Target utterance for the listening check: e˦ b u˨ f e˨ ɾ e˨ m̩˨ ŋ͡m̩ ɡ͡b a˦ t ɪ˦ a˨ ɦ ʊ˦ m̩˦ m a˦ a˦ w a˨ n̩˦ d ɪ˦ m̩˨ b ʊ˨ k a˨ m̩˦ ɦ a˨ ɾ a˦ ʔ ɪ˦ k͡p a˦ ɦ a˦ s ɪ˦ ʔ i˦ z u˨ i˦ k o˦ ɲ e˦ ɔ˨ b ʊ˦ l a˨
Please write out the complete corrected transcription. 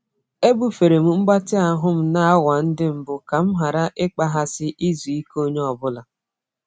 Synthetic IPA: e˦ b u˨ f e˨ ɾ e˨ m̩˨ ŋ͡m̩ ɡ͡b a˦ t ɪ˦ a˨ ɦ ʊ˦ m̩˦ n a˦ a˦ w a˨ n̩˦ d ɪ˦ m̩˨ b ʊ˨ k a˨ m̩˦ ɦ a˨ ɾ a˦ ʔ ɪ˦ k͡p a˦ ɦ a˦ s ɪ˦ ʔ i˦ z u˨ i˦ k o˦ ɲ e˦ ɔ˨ b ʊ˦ l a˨